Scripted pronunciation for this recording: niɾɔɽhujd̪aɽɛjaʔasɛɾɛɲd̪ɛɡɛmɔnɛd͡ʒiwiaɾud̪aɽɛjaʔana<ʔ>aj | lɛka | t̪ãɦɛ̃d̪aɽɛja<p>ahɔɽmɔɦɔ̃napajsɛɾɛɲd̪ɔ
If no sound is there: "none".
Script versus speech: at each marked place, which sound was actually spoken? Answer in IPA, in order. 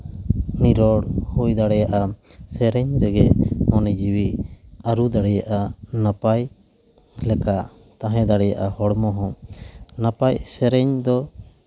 p, ʔ

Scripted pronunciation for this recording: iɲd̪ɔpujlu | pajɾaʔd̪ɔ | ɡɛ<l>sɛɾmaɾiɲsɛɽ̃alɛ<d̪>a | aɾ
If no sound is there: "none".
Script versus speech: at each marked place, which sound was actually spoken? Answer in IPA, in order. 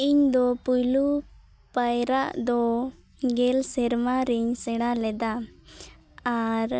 l, d̪

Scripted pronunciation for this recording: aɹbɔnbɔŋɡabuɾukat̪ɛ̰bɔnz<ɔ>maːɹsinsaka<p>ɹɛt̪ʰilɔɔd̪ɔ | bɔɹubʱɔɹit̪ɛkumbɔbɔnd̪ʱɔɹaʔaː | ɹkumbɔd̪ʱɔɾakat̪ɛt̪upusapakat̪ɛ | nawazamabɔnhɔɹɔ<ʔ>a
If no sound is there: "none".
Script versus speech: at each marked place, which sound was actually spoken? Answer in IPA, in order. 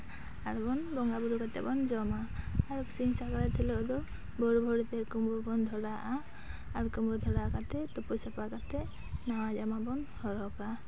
ɔ, none, k

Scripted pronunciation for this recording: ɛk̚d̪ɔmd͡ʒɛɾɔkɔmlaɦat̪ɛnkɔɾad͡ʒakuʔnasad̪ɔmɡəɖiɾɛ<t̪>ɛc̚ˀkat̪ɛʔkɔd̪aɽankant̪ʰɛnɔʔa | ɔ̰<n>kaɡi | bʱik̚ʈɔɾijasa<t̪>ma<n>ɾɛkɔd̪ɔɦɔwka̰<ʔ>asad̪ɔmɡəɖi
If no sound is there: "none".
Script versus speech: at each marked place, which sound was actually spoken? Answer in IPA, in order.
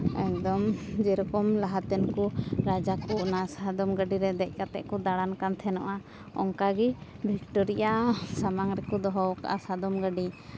d̪, ŋ, none, ŋ, ʔ

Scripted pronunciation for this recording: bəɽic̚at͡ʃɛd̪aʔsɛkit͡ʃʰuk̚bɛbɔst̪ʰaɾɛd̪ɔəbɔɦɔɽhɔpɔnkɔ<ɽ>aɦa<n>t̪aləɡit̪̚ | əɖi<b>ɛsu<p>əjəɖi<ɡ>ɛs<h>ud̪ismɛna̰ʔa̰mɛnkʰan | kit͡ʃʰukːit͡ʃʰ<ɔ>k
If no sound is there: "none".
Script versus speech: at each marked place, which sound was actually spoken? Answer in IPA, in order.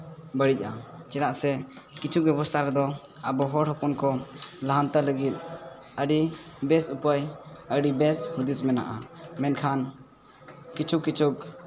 l, n, b, p, b, h, u

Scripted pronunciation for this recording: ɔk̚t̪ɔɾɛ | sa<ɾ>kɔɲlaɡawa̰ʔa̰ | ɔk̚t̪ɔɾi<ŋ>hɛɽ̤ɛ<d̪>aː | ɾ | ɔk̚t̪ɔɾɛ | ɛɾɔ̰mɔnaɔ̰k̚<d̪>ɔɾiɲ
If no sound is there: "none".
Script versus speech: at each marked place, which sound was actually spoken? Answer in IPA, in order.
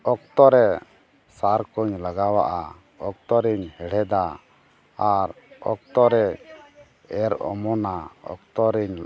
ɾ, ɲ, d̪, t̪

